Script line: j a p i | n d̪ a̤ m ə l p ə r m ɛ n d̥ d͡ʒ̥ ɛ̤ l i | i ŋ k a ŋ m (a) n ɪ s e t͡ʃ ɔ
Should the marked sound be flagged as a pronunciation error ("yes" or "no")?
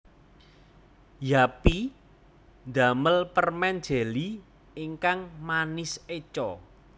no